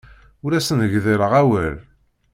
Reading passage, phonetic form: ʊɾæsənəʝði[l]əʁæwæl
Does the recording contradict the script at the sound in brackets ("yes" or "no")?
yes